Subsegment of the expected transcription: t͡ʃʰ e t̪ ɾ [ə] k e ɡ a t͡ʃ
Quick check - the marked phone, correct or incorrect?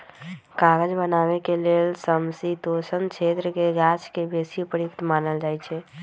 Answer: correct